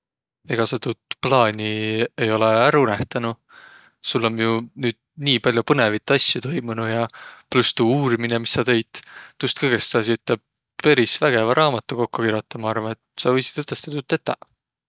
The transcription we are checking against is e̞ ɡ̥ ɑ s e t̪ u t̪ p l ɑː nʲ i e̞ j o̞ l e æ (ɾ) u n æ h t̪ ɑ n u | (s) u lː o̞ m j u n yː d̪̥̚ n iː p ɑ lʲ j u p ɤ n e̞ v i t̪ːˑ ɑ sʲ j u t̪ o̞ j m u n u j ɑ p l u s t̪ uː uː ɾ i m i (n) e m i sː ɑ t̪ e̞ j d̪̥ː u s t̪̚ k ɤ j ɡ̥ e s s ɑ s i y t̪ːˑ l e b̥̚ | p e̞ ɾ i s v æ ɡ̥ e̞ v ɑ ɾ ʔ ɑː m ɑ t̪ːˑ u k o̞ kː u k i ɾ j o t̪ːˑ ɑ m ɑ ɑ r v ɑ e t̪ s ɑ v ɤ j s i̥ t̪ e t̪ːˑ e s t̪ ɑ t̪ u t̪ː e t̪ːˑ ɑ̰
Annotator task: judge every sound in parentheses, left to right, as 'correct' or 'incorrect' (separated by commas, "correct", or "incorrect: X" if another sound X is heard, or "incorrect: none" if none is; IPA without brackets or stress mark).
correct, correct, correct